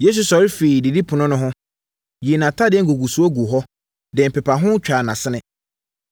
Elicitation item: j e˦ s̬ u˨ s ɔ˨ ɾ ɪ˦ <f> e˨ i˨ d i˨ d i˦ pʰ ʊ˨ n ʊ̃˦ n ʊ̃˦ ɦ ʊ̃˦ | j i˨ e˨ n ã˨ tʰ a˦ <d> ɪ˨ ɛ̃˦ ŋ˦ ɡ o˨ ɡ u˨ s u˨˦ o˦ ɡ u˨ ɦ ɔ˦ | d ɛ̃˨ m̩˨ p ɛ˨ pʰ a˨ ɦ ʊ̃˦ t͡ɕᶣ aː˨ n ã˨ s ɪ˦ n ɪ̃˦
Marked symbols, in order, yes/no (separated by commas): yes, yes